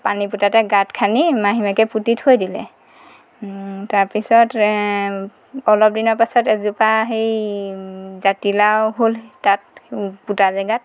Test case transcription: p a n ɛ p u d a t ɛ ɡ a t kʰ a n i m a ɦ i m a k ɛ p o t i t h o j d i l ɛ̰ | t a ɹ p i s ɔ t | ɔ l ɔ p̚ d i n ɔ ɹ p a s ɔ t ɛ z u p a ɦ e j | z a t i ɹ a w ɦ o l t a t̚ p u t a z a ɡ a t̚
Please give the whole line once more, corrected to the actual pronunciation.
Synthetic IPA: p a n i p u t a t ɛ ɡ a t kʰ a n i m a ɦ i m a k ɛ p u t i t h o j d i l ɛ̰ | t a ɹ p i s ɔ t | ɔ l ɔ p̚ d i n ɔ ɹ p a s ɔ t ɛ z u p a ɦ e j | z a t i l a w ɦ o l t a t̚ p u t a z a ɡ a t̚